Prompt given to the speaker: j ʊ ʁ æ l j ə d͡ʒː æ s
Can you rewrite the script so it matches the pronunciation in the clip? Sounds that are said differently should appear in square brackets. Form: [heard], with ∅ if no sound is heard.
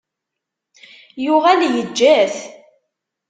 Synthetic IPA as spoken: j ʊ ʁ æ l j ə d͡ʒː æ [θ]